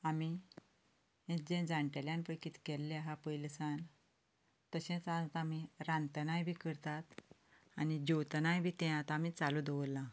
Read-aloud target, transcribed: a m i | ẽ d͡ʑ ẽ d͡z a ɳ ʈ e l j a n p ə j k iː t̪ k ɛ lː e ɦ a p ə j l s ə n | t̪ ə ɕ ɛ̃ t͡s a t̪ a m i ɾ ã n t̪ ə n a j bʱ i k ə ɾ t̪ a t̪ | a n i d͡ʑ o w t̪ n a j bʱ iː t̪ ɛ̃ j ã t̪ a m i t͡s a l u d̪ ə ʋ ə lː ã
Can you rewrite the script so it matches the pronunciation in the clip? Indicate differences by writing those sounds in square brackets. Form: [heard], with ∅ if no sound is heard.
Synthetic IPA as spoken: a m i | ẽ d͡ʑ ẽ d͡z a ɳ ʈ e l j a n p ə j k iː t̪ k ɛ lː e ɦ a p ə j l s [a] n | t̪ ə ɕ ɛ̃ t͡s a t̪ a m i ɾ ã n t̪ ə n a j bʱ i k ə ɾ t̪ a t̪ | a n i d͡ʑ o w t̪ n a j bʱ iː t̪ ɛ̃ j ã t̪ a m i t͡s a l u d̪ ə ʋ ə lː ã